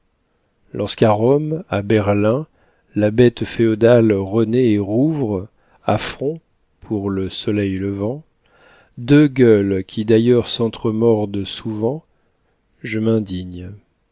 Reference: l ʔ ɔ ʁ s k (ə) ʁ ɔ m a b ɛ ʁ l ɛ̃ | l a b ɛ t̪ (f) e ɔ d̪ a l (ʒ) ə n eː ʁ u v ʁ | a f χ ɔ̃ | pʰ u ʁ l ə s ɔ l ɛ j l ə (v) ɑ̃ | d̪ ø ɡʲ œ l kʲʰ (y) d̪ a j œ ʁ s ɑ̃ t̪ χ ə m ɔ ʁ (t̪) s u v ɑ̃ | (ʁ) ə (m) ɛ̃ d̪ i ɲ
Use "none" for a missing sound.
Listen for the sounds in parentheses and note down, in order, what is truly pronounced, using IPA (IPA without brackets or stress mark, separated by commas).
a, f, ʁ, v, i, d̪, ʒ, m